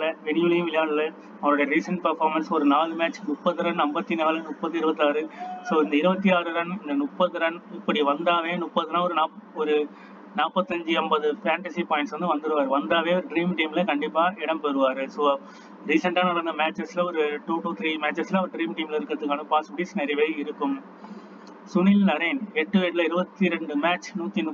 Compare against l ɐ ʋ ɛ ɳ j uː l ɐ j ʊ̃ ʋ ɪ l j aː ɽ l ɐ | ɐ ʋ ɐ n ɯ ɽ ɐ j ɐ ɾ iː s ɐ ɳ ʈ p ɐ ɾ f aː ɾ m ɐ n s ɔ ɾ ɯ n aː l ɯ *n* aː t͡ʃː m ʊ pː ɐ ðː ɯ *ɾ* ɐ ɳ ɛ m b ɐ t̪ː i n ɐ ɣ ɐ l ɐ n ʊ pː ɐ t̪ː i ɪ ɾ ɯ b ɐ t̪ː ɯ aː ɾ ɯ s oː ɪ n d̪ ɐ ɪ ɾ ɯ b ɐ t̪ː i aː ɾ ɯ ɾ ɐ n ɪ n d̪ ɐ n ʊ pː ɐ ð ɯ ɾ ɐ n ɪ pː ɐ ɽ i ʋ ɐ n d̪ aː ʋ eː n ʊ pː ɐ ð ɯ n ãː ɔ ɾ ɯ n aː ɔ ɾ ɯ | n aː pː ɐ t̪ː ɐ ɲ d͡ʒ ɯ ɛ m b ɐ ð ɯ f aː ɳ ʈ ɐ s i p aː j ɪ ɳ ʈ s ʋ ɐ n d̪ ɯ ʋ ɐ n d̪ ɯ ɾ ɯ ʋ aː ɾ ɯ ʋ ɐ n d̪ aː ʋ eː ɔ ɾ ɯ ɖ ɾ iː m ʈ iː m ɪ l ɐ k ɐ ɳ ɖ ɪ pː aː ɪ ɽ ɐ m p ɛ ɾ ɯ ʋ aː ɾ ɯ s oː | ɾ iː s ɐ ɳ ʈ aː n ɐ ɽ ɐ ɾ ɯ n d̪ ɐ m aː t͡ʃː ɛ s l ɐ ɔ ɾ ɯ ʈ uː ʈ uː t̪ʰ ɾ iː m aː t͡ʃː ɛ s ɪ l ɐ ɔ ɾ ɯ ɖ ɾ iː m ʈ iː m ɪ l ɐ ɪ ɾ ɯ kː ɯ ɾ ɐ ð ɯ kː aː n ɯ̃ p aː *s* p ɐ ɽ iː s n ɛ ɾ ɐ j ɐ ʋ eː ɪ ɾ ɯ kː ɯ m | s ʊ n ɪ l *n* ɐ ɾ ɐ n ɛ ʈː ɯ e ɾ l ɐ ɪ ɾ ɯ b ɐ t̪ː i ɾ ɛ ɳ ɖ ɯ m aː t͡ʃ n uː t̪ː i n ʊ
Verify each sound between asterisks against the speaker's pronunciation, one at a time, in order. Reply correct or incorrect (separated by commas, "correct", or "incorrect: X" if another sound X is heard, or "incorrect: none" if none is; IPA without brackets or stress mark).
incorrect: m, correct, correct, correct